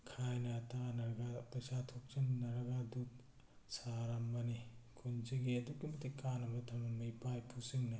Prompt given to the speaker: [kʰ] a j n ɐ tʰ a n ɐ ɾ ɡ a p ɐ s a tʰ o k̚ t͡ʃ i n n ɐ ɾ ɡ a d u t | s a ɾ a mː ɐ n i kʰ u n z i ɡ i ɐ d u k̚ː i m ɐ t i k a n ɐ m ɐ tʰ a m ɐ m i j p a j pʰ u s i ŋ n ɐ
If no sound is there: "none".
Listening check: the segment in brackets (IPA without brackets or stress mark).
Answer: kʰ